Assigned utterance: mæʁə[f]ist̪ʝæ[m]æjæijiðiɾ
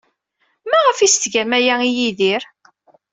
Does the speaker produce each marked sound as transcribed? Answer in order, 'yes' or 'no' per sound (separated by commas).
yes, yes